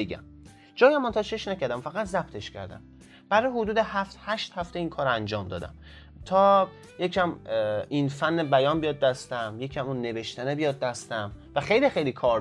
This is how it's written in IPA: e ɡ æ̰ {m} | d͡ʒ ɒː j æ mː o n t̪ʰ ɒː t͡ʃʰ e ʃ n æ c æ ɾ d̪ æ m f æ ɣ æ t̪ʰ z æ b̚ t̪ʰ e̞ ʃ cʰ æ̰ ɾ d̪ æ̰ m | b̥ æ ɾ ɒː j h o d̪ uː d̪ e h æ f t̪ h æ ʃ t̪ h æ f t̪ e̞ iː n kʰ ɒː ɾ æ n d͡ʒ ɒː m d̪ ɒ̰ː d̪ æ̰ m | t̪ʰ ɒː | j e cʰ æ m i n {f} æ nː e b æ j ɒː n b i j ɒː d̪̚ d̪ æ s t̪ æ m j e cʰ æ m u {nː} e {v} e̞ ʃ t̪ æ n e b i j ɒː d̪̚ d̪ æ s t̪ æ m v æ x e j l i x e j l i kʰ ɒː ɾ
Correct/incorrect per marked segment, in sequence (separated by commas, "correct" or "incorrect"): correct, correct, correct, correct